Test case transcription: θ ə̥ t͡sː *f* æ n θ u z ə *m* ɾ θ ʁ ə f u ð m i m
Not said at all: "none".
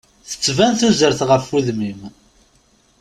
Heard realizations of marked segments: v, none

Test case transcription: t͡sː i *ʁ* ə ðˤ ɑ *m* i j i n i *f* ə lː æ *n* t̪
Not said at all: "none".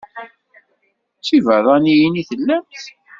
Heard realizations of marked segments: v, n, θ, m

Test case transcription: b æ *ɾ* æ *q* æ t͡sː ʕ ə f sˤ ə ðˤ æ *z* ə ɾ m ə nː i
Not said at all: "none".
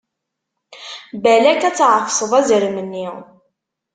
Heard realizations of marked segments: l, k, z

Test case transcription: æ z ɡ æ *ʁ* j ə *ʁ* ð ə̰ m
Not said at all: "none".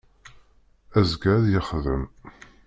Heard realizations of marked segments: ð, χ

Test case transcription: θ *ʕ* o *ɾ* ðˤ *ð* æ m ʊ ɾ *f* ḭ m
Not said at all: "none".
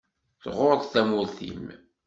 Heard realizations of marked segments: ʁ, ɾ, θ, θ

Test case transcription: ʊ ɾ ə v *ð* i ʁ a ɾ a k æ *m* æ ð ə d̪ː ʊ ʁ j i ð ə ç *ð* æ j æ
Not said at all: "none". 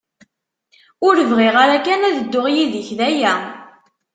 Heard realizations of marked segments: ʁ, n, ð

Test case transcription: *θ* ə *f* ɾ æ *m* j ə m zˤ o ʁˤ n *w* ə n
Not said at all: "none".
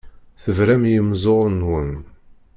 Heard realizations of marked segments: θ, v, m, w

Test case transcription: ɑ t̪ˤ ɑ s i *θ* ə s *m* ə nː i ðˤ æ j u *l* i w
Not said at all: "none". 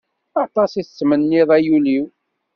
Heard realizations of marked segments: θ, m, l

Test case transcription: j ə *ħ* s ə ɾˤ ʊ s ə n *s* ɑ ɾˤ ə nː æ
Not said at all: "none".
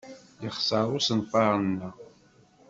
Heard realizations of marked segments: χ, f

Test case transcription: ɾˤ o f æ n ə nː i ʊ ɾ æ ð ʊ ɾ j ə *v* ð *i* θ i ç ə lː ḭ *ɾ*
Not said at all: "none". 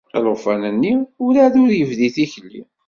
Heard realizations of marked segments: v, i, none

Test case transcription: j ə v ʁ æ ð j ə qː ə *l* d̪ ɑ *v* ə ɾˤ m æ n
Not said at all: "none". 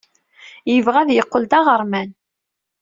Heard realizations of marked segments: l, ʁ

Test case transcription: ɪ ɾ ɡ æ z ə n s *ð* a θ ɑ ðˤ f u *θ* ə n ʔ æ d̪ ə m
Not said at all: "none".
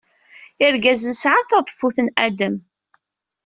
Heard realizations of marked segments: ʕ, θ

